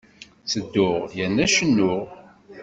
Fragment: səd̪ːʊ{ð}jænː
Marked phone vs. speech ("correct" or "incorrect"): incorrect